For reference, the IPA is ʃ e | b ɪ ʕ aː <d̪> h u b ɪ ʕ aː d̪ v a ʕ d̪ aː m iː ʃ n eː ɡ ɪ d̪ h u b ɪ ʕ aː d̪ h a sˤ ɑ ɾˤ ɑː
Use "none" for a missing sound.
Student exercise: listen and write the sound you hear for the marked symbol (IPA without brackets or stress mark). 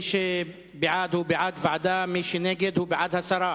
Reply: d̪